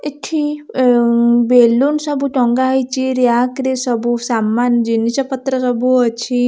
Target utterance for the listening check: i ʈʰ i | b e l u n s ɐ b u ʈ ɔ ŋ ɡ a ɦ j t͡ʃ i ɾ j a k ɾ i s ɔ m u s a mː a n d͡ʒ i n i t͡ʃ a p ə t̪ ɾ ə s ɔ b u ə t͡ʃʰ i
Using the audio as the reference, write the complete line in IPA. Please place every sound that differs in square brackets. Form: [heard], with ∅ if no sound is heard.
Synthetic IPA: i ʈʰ i | b e l u n s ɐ b u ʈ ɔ ŋ ɡ a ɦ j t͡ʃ i ɾ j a k ɾ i s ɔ [b] u s a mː a n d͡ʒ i n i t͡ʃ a p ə t̪ ɾ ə s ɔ b u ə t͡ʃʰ i